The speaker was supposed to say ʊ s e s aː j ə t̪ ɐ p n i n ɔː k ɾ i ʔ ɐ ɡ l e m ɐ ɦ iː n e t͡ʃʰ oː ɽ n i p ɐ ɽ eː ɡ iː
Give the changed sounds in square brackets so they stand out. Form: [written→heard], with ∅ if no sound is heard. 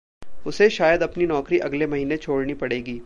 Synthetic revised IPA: ʊ s e [s→ʃ] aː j ə [t̪→d̪] ɐ p n i n ɔː k ɾ i ʔ ɐ ɡ l e m ɐ ɦ iː n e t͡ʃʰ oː ɽ n i p ɐ ɽ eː ɡ iː